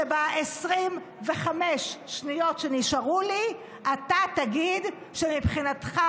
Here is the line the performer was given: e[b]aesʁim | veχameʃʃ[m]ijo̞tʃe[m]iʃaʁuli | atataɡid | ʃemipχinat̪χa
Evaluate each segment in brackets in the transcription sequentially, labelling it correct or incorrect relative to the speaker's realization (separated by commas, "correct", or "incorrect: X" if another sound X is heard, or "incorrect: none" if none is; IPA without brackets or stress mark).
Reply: correct, incorrect: n, incorrect: n